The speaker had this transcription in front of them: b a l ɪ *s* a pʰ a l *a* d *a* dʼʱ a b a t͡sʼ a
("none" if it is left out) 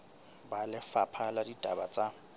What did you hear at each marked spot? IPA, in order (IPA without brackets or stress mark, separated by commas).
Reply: f, a, i